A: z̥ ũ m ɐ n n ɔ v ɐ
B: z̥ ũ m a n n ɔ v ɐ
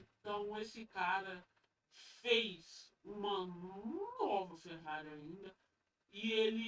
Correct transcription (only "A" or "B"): A